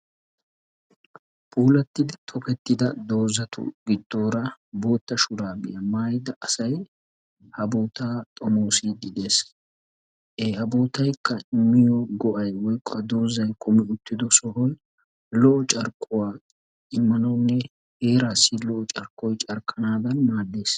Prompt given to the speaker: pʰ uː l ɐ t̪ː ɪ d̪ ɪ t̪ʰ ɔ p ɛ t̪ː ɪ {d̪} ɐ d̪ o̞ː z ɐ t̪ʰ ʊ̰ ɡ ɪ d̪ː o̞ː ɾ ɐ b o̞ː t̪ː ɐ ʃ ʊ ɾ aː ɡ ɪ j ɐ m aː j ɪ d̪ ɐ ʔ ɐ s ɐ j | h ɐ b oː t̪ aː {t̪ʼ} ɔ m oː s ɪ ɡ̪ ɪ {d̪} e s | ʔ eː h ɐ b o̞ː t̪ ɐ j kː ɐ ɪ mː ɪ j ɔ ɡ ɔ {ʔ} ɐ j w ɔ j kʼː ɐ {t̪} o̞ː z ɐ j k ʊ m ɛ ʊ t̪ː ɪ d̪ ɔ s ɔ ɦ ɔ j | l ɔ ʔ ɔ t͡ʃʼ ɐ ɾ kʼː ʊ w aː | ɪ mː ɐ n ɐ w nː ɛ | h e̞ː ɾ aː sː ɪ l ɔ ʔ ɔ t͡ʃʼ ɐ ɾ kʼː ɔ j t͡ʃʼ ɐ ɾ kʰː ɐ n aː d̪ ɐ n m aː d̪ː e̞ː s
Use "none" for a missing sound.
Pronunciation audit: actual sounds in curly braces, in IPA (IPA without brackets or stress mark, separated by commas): d̪, t̪ʼ, d̪, ʔ, d̪